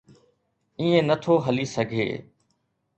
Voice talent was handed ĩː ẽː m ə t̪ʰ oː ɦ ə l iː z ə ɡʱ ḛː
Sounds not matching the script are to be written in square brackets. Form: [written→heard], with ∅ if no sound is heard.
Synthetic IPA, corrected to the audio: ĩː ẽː [m→n] ə t̪ʰ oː ɦ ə l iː [z→s] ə ɡʱ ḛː